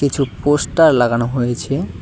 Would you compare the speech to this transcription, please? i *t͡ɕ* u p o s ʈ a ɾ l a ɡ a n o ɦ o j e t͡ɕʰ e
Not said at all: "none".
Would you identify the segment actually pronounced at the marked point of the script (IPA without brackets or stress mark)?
t͡ɕʰ